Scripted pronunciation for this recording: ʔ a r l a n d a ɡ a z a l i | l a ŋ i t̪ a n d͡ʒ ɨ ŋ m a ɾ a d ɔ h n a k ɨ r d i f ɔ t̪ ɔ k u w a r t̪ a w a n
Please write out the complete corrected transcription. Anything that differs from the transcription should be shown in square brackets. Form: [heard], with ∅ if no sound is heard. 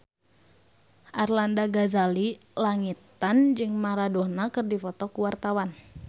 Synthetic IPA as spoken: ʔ a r l a n d a ɡ a z a l i | l a ŋ i t̪ a n d͡ʒ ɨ ŋ m a ɾ a d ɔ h n a k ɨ r d i f ɔ t̪ ɔ k u w a r t̪ a w a n